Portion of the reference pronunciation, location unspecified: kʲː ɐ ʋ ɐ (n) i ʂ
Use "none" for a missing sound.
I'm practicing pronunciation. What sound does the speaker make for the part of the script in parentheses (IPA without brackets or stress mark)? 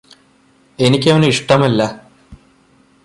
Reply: n